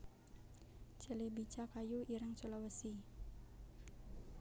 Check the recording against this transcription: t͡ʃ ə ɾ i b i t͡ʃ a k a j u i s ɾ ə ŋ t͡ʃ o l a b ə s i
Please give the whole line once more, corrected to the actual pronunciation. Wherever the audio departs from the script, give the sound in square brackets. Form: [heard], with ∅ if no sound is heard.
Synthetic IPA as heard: t͡ʃ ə [l] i b i t͡ʃ a k a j u i [∅] ɾ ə ŋ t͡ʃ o l a [w] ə s i